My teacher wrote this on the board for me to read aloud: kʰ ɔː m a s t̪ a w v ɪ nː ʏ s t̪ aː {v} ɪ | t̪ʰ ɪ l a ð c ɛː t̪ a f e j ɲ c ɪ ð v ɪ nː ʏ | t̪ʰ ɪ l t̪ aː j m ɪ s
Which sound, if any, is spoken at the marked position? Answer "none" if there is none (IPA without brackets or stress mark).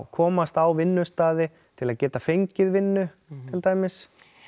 ð